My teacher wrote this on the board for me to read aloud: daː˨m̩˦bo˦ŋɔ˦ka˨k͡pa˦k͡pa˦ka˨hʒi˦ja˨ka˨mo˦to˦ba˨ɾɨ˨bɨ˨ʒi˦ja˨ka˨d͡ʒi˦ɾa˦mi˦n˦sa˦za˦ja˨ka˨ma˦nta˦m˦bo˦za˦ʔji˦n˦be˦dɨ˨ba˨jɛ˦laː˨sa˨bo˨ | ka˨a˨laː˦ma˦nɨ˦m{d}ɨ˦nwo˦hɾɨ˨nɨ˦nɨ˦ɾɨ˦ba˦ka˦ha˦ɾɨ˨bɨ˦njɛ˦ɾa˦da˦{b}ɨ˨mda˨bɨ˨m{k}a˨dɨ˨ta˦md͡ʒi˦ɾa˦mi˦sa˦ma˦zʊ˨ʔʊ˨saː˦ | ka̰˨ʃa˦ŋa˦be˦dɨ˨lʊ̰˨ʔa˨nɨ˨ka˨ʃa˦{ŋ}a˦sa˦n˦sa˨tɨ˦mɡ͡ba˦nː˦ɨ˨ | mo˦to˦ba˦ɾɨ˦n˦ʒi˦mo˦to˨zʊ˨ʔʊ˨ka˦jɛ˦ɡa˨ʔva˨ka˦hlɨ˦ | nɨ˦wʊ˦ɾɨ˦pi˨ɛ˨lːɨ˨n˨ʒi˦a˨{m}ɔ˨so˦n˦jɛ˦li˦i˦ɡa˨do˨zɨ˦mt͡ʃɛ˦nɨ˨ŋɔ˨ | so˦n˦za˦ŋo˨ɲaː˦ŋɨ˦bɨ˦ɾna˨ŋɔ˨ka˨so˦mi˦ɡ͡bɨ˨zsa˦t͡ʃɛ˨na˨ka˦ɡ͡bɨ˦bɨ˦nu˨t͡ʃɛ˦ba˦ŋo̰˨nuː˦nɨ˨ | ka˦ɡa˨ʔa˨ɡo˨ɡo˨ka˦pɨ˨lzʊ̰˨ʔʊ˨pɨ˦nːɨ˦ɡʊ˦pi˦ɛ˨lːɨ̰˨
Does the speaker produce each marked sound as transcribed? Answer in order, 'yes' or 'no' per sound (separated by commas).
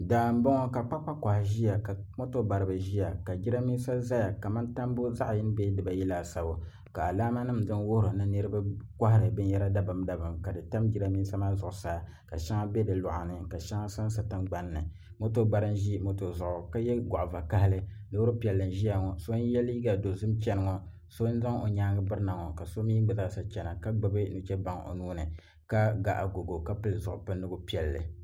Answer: yes, yes, yes, yes, no